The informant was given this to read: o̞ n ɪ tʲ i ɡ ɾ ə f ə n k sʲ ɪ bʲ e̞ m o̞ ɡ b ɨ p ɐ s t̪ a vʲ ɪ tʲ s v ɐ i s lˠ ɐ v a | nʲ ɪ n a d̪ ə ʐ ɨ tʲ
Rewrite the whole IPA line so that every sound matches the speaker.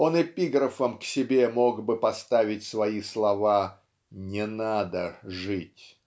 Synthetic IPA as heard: o̞ n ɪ pʲ i ɡ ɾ ə f ə m k sʲ ɪ bʲ e̞ m o̞ ɡ b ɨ p ɐ s t̪ a vʲ ɪ tʲ s v ɐ i s lˠ ɐ v a | nʲ ɪ n a d̪ ə ʐ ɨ tʲ